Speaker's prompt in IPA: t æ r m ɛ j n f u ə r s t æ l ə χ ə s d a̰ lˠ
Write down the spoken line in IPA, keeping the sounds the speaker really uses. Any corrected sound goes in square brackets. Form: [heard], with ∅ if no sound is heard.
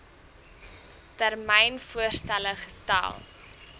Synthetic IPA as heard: t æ r m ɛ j n f u ə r s t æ l ə χ ə s [t] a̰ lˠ